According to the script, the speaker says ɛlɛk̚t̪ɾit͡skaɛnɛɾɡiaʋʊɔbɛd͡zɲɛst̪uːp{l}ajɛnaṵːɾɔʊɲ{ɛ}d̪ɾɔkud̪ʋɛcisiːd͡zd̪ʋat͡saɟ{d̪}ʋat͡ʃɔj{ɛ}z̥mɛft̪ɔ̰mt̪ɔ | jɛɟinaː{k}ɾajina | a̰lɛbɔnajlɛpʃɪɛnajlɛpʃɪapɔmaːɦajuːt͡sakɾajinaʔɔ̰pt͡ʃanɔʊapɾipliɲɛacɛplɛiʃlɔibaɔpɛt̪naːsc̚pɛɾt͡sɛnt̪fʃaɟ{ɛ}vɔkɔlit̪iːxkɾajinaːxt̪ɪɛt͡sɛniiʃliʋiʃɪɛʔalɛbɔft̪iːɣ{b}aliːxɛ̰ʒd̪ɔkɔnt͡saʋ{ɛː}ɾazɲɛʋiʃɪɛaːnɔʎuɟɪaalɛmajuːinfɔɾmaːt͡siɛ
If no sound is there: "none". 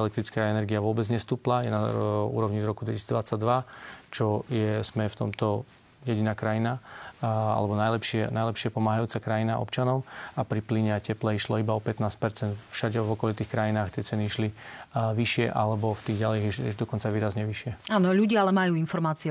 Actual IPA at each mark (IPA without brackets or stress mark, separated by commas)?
l, i, d̪, ɛ, k, ɛ, ɟ, iː